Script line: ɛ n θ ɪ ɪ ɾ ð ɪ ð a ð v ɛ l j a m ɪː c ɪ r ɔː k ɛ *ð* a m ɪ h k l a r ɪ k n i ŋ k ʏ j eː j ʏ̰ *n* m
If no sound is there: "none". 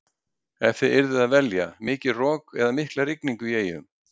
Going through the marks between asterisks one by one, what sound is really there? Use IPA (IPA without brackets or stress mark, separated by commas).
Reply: ð, none